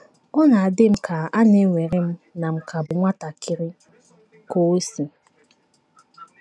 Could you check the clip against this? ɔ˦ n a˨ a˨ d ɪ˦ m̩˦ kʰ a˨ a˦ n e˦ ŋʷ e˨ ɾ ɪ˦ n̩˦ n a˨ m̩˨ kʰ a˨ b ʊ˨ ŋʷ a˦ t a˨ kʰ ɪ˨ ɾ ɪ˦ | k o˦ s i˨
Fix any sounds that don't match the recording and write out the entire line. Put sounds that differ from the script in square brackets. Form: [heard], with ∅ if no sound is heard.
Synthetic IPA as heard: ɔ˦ n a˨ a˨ d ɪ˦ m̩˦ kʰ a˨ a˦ n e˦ ŋʷ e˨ ɾ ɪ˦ [m̩˦] n a˨ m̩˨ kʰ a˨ b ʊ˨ ŋʷ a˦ t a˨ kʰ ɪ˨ ɾ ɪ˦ | k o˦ s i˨